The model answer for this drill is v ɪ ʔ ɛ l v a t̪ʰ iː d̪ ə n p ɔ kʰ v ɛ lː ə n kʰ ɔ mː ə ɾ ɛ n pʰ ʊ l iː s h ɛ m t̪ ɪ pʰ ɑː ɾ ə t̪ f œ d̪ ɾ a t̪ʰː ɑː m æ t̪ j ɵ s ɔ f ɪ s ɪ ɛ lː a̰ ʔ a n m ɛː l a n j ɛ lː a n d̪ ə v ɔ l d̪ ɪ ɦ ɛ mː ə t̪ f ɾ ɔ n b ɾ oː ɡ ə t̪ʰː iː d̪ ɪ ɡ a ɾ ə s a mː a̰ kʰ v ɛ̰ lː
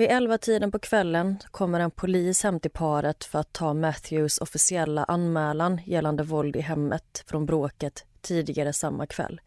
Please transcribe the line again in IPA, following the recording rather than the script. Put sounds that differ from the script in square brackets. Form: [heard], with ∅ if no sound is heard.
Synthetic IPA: v ɪ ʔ ɛ l v a t̪ʰ iː d̪ ə n p ɔ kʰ v ɛ lː ə n kʰ ɔ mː ə ɾ ɛ n pʰ ʊ l iː s h ɛ m t̪ ɪ pʰ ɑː ɾ ə t̪ f œ [∅] ɾ a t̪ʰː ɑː m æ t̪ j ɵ s ɔ f ɪ s ɪ ɛ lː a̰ ʔ a n m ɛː l a n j ɛ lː a n d̪ ə v ɔ l d̪ ɪ ɦ ɛ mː ə t̪ f ɾ ɔ n b ɾ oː [k] ə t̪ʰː iː d̪ ɪ ɡ a ɾ ə s a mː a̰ kʰ v ɛ̰ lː